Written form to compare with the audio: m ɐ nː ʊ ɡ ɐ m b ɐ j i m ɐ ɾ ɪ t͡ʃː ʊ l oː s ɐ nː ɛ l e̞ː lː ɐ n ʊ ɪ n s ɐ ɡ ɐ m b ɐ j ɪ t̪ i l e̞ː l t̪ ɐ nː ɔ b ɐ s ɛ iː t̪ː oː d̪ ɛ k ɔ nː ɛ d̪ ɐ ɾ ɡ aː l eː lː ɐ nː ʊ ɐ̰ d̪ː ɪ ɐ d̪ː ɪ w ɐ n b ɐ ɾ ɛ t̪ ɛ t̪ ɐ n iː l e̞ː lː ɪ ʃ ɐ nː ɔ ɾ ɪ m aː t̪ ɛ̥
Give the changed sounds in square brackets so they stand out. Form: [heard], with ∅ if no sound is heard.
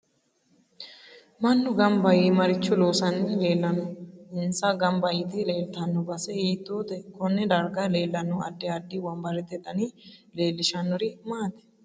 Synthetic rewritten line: m ɐ nː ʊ ɡ ɐ m b ɐ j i m ɐ ɾ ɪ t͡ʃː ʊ l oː s ɐ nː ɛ l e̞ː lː ɐ n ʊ ɪ n s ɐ ɡ ɐ m b ɐ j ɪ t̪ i l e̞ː l t̪ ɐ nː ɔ b ɐ s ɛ iː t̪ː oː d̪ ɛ k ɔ nː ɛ d̪ ɐ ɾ ɡ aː l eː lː ɐ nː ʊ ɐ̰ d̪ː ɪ ɐ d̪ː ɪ w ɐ [m] b ɐ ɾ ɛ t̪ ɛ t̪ ɐ n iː l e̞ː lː ɪ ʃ ɐ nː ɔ ɾ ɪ m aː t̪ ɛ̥